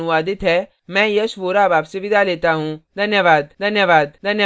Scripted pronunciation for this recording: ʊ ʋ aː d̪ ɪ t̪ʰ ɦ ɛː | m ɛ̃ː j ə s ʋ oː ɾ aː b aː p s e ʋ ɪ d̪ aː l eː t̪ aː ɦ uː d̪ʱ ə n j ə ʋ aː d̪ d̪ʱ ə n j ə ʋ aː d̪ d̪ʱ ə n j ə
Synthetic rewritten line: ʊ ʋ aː d̪ ɪ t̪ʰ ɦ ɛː | m ɛ̃ː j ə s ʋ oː ɾ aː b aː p s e ʋ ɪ d̪ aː l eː t̪ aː ɦ ũː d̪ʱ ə n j ə ʋ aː d̪ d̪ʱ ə n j ə ʋ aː d̪ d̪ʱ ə n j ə